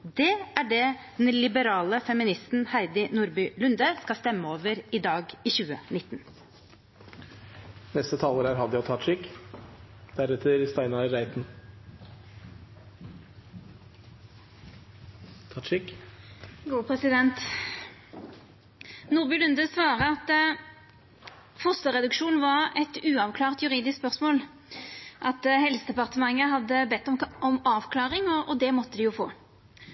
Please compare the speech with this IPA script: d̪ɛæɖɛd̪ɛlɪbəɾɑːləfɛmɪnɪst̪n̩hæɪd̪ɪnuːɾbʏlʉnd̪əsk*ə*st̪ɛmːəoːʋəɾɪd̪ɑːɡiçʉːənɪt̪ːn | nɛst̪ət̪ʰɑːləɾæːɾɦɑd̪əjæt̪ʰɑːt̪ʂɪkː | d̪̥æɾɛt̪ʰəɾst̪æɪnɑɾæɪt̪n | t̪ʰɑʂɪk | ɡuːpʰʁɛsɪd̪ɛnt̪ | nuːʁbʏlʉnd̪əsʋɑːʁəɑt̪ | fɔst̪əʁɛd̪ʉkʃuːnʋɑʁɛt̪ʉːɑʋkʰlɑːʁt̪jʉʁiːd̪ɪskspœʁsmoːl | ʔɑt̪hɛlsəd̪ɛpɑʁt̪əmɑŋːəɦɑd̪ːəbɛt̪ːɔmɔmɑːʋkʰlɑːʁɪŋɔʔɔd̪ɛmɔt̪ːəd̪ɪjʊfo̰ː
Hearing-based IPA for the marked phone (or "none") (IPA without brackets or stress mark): ɑ